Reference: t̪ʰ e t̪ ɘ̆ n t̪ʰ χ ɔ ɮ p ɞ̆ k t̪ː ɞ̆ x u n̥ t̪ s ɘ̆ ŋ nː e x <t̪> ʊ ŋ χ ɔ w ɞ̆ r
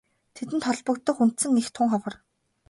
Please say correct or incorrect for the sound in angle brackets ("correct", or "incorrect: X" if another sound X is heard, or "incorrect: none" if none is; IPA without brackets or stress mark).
incorrect: t̪ʰ